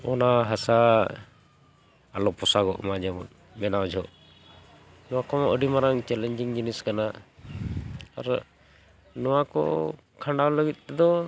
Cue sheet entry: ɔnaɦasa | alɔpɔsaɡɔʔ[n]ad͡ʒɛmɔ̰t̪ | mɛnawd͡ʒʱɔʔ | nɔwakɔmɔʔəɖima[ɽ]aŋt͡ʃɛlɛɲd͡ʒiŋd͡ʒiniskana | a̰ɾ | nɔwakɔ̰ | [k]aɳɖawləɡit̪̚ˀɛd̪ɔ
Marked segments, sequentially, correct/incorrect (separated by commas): incorrect, incorrect, incorrect